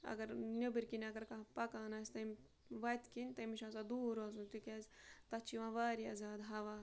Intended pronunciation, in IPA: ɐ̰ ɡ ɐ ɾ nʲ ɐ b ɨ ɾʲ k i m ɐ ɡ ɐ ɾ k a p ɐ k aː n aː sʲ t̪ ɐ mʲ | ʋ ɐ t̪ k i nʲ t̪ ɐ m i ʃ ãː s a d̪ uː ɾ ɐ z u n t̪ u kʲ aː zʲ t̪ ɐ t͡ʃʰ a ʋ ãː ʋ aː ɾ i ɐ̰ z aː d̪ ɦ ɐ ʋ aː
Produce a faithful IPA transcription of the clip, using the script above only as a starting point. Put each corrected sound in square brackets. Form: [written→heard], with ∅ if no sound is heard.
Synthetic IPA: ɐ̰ ɡ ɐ ɾ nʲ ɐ b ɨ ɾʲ k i [m→n] ɐ ɡ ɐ ɾ k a p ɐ k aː n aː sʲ t̪ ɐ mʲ | ʋ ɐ t̪ k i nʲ t̪ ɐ m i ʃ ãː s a d̪ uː ɾ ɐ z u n t̪ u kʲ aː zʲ t̪ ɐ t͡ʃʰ [a→i] ʋ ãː ʋ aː ɾ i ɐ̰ z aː d̪ ɦ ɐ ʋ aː